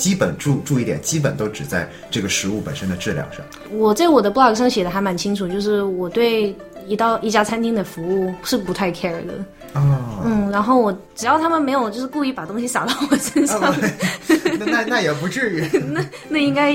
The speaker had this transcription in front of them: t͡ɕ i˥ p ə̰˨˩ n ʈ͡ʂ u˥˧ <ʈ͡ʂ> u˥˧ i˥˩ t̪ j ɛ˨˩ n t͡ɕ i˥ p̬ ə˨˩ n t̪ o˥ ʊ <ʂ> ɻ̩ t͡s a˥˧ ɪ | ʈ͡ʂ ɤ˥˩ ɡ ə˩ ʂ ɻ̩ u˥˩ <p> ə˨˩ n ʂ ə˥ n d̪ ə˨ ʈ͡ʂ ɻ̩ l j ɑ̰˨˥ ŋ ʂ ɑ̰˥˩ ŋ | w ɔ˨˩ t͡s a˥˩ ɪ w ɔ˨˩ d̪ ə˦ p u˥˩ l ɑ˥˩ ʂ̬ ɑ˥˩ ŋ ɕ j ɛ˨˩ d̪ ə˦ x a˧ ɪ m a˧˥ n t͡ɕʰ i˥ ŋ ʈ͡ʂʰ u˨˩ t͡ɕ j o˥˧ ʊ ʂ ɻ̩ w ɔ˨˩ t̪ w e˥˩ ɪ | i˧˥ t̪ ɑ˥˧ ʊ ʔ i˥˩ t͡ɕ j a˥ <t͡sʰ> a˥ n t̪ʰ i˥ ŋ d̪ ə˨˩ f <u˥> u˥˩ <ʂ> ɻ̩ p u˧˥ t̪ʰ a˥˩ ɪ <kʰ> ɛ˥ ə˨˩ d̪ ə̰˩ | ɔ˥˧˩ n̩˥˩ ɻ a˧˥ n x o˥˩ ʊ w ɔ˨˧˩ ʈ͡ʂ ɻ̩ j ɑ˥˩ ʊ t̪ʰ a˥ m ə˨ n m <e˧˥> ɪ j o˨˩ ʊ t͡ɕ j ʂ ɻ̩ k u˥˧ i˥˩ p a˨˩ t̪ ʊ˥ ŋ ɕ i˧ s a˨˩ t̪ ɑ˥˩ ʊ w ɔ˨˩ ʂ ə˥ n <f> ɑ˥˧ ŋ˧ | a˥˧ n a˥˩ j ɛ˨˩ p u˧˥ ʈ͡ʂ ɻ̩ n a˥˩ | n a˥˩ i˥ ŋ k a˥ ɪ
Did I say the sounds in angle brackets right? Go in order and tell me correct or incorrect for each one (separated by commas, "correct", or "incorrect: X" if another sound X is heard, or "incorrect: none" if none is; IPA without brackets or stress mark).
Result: correct, incorrect: ʈ͡ʂ, correct, correct, incorrect: u˧˥, correct, correct, correct, incorrect: ʂ